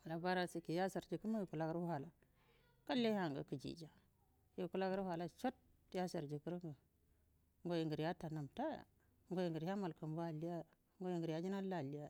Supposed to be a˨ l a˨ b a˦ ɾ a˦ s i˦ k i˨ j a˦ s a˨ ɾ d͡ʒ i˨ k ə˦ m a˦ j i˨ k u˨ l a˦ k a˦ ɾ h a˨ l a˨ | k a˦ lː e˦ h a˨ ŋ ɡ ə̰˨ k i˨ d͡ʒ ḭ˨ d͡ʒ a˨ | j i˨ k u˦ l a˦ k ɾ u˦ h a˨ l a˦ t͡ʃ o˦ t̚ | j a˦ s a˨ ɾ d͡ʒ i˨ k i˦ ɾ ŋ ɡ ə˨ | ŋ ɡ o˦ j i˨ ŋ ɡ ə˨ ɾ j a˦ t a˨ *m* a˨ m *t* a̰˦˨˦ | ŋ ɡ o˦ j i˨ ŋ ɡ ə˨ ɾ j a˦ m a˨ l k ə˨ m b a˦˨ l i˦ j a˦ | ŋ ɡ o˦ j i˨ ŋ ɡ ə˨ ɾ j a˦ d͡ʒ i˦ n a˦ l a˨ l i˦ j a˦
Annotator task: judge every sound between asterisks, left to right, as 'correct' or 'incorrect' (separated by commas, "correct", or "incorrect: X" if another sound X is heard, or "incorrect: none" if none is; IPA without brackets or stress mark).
incorrect: n, correct